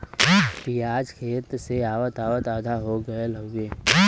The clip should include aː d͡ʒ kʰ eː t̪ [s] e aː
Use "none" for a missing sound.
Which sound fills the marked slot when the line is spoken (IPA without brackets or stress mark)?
s